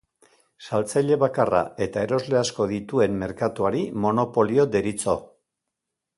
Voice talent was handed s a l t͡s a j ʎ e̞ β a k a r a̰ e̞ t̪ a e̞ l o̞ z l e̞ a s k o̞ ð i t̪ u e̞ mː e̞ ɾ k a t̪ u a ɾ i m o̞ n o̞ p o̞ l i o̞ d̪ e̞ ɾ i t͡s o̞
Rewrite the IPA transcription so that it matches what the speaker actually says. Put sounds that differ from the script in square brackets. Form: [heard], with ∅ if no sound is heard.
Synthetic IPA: s a l t͡s a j ʎ e̞ β a k a r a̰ e̞ t̪ a e̞ [ɾ] o̞ z l e̞ a s k o̞ ð i t̪ u e̞ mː e̞ ɾ k a t̪ u a ɾ i m o̞ n o̞ p o̞ l i o̞ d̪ e̞ ɾ i t͡s o̞